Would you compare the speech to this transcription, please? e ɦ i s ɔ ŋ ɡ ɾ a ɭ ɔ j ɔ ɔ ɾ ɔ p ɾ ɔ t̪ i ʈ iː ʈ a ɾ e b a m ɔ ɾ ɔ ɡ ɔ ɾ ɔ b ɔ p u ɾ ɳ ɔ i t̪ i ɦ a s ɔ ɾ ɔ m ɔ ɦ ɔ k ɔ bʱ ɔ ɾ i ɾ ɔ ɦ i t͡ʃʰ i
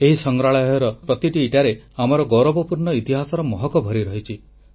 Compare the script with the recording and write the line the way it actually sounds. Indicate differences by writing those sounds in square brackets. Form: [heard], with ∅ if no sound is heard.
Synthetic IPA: e ɦ i s ɔ ŋ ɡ ɾ a ɭ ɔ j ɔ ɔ ɾ ɔ p ɾ ɔ t̪ i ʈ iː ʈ a ɾ e [∅] a m ɔ ɾ ɔ ɡ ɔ ɾ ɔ b ɔ p u ɾ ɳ ɔ i t̪ i ɦ a s ɔ ɾ ɔ m ɔ ɦ ɔ k ɔ bʱ ɔ ɾ i ɾ ɔ ɦ i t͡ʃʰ i